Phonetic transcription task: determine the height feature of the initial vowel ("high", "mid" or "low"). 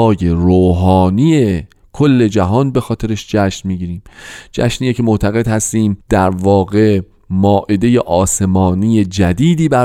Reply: mid